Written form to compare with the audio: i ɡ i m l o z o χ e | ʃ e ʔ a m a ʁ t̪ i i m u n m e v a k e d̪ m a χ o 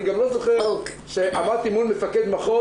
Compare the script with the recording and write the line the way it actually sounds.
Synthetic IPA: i ɡ a m l o z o χ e | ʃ e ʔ a m a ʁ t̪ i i m u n m e f a k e d̪ m a χ o